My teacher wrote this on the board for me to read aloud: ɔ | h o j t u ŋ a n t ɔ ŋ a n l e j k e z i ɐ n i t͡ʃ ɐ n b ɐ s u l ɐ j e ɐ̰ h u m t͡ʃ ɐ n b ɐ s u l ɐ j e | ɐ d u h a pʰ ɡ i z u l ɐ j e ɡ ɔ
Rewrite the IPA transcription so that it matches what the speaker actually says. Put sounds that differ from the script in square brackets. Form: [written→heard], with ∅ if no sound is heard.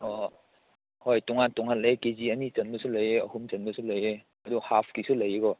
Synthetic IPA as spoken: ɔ | h o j t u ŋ a n t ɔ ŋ a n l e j k e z i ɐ n i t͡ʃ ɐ n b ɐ s u l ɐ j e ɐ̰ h u m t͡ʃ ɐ n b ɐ s u l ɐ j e | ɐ d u h a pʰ [ɡ→k] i [z→s] u l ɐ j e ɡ ɔ

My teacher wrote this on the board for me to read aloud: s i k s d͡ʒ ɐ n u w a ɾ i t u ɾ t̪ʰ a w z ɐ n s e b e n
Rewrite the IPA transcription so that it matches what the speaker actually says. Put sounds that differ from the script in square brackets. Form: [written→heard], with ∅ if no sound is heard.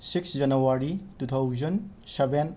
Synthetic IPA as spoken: s i k s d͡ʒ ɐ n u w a ɾ i t u [ɾ→∅] t̪ʰ a w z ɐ n s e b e n

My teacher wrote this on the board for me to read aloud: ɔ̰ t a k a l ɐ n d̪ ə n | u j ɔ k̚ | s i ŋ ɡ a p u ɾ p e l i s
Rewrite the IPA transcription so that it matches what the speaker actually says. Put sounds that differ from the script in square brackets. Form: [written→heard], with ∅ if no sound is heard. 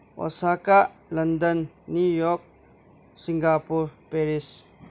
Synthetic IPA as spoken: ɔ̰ [t→s] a k a l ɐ n d̪ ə [n→nː] | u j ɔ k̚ | s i ŋ ɡ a p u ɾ p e [l→ɾ] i s

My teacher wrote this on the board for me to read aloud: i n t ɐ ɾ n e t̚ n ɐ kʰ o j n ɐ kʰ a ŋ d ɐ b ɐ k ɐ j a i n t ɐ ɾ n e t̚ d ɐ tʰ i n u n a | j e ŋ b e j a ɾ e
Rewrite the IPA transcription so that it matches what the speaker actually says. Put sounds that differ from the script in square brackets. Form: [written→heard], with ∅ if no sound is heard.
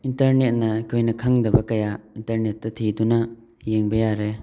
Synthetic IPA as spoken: i n t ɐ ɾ n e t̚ n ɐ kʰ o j n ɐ kʰ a ŋ d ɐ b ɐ k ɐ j a i n t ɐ ɾ n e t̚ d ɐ tʰ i [n→d] u n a | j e ŋ b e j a ɾ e

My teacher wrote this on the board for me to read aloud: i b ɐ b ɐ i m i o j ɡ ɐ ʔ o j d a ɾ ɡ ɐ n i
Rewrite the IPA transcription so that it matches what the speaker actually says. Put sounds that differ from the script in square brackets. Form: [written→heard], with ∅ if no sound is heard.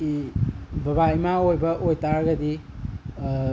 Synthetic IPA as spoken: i b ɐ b [ɐ→a] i m [i→a] o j [ɡ→b] ɐ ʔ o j [d→t] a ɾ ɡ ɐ [n→d] i

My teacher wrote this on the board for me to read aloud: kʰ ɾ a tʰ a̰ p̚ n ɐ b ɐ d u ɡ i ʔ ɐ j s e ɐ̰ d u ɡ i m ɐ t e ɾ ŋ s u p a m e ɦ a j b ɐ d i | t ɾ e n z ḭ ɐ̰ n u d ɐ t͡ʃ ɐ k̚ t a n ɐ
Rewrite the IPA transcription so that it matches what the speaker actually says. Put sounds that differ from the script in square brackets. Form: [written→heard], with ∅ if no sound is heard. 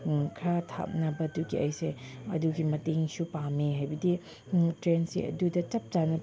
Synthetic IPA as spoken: kʰ ɾ a tʰ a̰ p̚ n ɐ b ɐ d u ɡ i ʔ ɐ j s e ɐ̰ d u ɡ i m ɐ t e [ɾ→∅] ŋ s u p a m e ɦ a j b ɐ d i | t ɾ e n [z→s] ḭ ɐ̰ [n→d] u d ɐ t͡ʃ ɐ [k̚→p̚] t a n ɐ

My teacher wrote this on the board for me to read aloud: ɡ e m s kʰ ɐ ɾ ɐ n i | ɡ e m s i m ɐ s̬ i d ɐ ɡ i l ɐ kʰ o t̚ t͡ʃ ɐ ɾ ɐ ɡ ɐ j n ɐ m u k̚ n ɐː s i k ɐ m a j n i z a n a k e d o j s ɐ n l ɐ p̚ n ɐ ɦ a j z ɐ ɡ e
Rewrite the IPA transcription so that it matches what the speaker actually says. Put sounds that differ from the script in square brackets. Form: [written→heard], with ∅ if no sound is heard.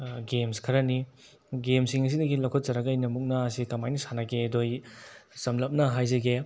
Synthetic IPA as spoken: ɡ e m s kʰ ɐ ɾ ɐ n i | ɡ e m s i [m→ŋ] ɐ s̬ i d ɐ ɡ i l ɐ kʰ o t̚ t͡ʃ ɐ ɾ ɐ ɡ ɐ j n ɐ m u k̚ n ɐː s i k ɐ m a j n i [z→s] a n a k e d o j s ɐ [n→m] l ɐ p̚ n ɐ ɦ a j z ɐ ɡ e

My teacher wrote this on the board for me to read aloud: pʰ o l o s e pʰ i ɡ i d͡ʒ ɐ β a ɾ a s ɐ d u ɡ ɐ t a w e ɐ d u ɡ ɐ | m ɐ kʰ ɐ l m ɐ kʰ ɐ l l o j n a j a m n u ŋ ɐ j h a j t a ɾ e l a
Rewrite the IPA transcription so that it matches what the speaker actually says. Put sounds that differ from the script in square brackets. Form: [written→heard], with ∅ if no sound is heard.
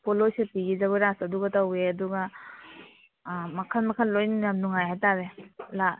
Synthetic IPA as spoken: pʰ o l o s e [pʰ→p] i ɡ i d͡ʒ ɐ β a ɾ a s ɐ d u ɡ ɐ t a w e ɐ d u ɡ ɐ | m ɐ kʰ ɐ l m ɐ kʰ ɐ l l o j n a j a m n u ŋ [ɐ→a] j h a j t a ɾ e l a

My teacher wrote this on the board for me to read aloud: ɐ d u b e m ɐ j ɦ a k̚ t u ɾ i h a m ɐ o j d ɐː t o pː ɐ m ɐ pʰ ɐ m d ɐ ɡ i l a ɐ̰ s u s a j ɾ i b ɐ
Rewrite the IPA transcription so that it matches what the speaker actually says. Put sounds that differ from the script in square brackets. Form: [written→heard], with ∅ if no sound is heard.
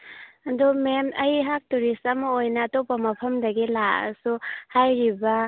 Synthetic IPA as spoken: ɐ d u [b→m] e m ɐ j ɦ a k̚ t u ɾ i [h→s] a m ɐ o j [d→n] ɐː t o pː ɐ m ɐ pʰ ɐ m d ɐ ɡ i l a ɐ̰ s u [s→h] a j ɾ i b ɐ

